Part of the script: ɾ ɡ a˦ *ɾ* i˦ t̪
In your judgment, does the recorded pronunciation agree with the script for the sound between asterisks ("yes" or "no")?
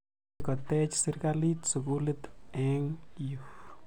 no